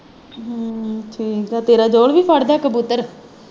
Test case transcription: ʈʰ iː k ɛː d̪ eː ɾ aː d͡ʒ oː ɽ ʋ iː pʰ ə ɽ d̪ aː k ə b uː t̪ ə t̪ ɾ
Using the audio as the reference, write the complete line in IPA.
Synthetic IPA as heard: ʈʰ iː k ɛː t̪ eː ɾ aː d͡ʒ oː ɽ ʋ iː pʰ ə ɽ d̪ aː k ə b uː t̪ ə ɾ